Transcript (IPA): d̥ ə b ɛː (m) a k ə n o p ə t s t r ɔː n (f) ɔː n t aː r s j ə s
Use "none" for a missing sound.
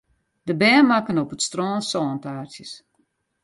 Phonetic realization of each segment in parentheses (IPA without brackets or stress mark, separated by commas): m, s